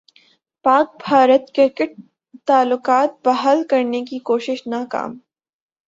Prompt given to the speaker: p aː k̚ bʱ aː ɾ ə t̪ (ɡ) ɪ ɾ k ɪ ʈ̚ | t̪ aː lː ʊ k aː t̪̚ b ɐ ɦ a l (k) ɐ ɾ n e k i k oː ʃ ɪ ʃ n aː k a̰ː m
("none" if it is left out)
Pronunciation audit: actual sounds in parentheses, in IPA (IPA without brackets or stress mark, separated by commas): k, k